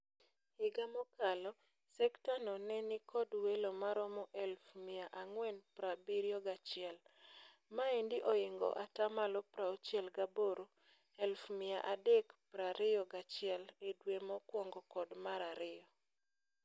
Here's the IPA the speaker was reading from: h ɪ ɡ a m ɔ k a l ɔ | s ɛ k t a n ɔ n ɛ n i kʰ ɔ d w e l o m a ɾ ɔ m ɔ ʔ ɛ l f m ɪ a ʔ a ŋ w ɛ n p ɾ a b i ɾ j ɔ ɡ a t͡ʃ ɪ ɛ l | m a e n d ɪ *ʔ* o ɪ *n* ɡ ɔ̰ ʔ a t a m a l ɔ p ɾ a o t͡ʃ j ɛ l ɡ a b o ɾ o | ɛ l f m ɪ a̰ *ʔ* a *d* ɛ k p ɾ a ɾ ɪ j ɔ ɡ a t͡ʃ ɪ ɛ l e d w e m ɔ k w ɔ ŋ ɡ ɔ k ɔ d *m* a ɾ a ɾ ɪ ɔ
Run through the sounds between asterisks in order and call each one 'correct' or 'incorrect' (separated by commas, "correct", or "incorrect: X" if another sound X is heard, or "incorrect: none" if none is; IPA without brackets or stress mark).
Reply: correct, incorrect: ŋ, correct, correct, correct